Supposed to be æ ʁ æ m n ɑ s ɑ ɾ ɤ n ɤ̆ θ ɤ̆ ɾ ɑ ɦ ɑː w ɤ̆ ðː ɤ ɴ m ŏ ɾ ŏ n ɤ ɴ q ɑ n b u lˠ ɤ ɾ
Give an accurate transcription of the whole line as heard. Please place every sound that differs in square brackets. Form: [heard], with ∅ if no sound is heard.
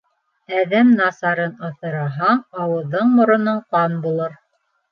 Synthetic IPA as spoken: æ [ð] æ m n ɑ s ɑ ɾ ɤ n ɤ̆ θ ɤ̆ ɾ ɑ ɦ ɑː w ɤ̆ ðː ɤ ɴ m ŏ ɾ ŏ n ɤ ɴ q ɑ n b u lˠ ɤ ɾ